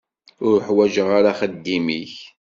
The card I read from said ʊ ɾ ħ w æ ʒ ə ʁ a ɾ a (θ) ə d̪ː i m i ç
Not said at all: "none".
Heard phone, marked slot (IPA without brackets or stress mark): χ